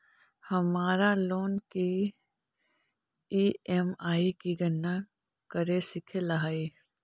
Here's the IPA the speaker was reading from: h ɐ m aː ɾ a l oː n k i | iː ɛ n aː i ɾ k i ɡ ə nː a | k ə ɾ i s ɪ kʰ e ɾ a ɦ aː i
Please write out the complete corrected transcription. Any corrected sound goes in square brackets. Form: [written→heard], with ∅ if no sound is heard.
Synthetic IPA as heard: h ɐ m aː ɾ a l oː n k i | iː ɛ [n→m] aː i [ɾ→∅] k i ɡ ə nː a | k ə ɾ [i→e] s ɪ kʰ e [ɾ→l] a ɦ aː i